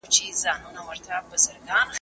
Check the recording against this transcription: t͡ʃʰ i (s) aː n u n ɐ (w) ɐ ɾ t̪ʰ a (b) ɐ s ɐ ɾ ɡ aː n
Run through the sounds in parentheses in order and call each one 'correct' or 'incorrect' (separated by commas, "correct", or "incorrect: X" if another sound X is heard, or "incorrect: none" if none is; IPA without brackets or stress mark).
incorrect: z, correct, correct